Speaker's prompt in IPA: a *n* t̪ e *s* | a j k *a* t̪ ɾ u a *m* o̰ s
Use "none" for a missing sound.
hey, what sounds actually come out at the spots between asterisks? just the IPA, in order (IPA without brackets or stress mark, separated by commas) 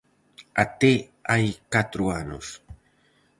none, none, a, n